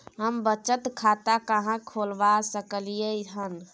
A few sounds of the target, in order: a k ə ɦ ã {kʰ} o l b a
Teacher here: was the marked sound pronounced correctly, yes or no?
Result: yes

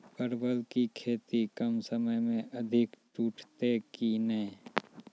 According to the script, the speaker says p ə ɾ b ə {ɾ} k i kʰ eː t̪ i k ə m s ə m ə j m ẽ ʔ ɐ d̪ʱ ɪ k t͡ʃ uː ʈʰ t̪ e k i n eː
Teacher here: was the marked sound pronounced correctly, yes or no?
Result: no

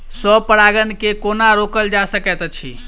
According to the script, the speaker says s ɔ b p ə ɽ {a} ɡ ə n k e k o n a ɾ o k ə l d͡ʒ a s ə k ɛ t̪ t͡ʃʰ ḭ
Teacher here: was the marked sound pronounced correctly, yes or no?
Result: yes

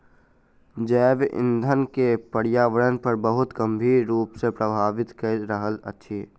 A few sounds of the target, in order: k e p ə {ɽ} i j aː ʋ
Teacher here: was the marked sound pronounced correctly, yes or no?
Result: yes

